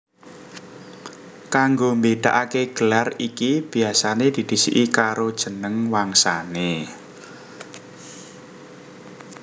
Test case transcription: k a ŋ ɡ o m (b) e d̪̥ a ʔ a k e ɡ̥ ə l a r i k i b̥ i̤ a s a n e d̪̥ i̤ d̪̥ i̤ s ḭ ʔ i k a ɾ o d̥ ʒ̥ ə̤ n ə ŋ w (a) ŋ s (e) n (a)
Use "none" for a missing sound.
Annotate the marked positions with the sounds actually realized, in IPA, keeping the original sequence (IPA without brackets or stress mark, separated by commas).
b, a, a, e